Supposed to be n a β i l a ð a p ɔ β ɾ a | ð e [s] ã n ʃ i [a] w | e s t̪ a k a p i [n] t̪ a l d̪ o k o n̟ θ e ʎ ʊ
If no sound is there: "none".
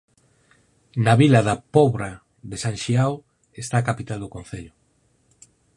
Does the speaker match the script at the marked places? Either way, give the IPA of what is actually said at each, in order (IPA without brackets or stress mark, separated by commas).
s, a, none